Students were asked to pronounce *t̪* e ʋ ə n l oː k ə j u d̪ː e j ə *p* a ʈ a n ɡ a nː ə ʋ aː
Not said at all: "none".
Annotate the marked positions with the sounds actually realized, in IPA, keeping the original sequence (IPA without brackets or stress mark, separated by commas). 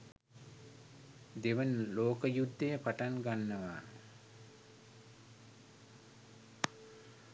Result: d̪, p